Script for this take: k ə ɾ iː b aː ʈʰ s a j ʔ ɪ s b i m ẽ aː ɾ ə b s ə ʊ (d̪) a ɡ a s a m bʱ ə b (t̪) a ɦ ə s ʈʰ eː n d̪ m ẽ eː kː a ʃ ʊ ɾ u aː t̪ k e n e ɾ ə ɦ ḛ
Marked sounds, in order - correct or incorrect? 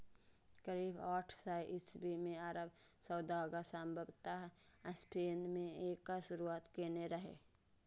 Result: correct, correct

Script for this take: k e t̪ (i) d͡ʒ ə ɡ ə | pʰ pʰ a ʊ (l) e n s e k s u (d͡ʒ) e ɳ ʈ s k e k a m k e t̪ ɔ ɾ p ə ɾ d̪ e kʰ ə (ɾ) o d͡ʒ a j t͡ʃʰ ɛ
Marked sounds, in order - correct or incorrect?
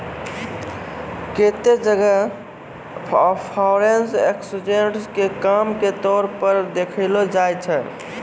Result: incorrect, incorrect, correct, incorrect

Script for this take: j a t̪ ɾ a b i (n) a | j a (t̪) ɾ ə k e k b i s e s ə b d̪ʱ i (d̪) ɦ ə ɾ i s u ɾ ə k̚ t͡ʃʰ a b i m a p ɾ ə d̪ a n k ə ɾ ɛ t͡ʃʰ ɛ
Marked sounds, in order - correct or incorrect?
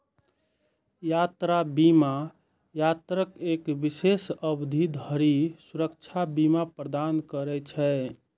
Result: incorrect, correct, correct

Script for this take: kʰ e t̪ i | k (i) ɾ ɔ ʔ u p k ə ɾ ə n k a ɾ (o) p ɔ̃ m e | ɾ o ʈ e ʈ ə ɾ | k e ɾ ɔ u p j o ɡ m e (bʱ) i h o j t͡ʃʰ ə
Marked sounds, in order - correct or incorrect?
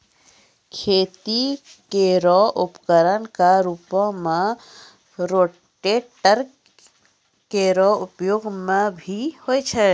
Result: incorrect, incorrect, correct

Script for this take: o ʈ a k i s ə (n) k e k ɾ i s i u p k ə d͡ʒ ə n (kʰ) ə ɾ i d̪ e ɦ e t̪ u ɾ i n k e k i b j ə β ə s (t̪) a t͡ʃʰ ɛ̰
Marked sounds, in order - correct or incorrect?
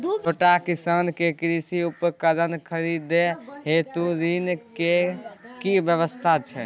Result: correct, correct, incorrect

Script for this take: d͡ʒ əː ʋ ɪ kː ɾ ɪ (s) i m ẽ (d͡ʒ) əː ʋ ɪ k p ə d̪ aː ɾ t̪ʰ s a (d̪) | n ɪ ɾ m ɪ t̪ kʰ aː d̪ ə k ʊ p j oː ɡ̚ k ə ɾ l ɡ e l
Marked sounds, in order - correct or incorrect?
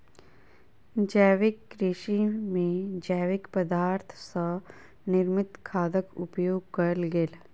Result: incorrect, correct, incorrect

